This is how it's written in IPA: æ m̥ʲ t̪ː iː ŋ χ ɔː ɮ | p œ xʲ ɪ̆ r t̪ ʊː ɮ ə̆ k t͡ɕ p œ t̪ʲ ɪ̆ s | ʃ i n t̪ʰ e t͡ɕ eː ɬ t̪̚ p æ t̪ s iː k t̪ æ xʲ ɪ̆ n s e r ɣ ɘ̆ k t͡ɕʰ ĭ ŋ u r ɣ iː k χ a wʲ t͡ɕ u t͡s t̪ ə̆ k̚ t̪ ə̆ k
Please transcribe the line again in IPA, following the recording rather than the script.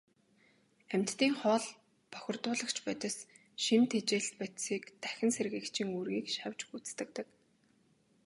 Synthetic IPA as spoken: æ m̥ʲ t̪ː iː ŋ χ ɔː ɮ | p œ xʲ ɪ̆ r t̪ ʊː ɮ ə̆ k t͡ɕ p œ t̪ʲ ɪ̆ s | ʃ i n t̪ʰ e t͡ɕ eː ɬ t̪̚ p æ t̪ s iː k t̪ æ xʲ ɪ̆ n s e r ɣ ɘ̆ k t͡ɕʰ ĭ ŋ u r ɣ iː k ʃ a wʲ t͡ɕ u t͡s t̪ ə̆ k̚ t̪ ə̆ k